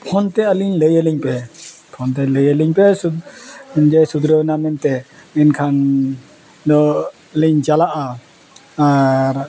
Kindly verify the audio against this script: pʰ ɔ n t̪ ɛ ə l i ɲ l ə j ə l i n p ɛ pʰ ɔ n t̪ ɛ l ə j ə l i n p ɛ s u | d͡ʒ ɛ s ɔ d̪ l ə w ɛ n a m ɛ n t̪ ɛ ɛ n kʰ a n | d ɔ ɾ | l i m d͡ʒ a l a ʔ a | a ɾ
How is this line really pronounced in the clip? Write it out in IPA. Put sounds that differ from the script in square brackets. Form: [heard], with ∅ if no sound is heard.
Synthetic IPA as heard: pʰ ɔ n t̪ ɛ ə l i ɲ l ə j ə l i [ɲ] p ɛ pʰ ɔ n t̪ ɛ l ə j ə l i [ɲ] p ɛ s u | d͡ʒ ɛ s [u] d̪ [ɾ] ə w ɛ n a m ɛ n t̪ ɛ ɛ n kʰ a n | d ɔ [∅] | l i [ɲ] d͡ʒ a l a ʔ a | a ɾ